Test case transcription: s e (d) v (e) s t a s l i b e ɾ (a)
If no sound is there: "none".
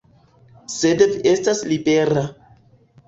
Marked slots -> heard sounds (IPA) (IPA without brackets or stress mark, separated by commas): d, e, a